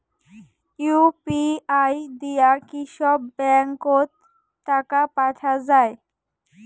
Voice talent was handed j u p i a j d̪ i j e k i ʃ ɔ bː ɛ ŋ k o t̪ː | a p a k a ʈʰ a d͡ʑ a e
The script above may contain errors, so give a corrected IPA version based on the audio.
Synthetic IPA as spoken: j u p i a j d̪ i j a k i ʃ ɔ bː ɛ ŋ k o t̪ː | a k a p a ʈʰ a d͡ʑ a e